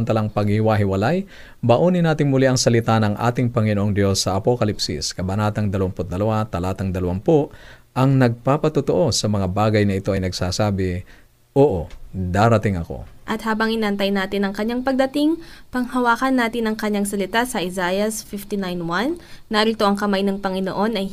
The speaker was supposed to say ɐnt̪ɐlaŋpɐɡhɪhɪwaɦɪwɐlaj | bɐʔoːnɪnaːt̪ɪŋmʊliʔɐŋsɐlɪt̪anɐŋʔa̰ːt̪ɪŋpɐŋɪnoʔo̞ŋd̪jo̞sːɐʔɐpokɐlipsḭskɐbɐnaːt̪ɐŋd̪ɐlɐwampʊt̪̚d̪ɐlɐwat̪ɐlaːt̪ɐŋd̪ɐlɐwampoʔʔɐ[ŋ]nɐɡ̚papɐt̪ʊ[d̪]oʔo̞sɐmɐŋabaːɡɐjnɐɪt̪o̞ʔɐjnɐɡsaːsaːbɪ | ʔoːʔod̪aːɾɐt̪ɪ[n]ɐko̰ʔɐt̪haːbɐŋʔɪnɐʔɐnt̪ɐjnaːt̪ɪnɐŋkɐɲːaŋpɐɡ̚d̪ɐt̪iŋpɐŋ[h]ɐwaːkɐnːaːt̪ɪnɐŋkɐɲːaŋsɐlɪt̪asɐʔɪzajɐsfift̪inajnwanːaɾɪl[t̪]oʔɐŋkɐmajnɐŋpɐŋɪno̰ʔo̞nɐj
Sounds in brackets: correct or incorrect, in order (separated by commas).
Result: correct, incorrect, incorrect, correct, correct